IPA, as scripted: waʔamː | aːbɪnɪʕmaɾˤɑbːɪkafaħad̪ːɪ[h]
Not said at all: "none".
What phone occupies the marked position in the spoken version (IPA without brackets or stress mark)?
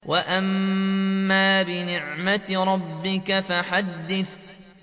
θ